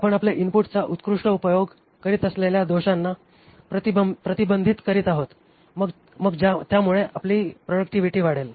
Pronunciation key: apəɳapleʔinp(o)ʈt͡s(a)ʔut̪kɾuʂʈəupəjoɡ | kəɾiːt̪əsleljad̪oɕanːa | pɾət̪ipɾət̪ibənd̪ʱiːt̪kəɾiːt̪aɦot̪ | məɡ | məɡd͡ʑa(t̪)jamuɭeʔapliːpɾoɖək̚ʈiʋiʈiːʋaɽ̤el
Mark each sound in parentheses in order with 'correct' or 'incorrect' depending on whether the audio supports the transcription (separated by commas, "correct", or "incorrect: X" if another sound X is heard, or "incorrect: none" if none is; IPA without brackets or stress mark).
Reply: incorrect: u, correct, correct